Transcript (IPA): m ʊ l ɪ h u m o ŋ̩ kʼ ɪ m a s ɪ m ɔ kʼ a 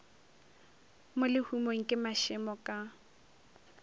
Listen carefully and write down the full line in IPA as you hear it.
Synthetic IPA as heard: m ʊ l ɪ h u m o ŋ̩ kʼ ɪ m a ʃ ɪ m ɔ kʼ a